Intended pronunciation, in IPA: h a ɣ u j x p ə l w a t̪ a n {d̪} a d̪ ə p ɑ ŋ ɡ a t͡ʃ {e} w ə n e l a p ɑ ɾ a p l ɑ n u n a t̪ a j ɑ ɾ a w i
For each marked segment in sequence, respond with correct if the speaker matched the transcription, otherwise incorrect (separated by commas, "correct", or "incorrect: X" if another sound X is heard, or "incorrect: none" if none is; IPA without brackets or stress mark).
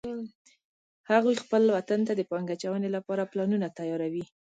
incorrect: t̪, incorrect: a